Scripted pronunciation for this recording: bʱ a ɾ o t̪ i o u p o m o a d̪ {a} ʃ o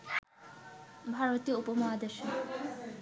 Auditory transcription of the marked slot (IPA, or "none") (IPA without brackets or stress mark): e